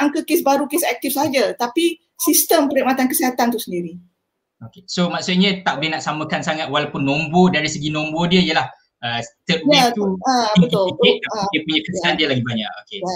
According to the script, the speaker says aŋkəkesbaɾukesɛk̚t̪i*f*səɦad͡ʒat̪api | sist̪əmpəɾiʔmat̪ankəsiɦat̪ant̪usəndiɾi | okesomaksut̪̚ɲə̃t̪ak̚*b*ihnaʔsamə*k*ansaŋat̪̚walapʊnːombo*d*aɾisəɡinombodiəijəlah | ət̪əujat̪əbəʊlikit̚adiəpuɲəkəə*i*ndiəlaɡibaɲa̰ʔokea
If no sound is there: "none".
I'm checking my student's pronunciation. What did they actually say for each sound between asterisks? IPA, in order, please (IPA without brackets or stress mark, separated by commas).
f, b, k, d, a